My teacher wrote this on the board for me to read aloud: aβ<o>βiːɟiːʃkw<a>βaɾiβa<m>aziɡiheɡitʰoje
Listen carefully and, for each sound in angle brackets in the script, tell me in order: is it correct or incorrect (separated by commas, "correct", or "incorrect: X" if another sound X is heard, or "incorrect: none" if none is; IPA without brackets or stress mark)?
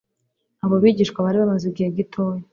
correct, correct, correct